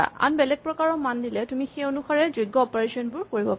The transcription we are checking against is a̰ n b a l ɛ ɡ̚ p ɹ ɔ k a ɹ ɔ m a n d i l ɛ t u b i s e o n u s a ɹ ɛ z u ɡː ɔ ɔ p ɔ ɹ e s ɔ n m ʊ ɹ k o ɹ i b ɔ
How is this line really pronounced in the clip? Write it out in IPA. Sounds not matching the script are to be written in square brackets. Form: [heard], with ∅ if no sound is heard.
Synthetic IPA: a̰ n b [ɛ] l ɛ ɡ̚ p ɹ ɔ k a ɹ ɔ m a n d i l ɛ t u [m] i [x] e o n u [x] a ɹ ɛ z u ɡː ɔ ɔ p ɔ ɹ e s ɔ n [b] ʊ ɹ k o ɹ i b ɔ